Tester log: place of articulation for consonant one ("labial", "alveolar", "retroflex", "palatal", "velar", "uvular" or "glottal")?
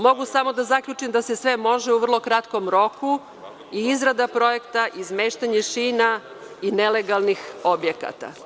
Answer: labial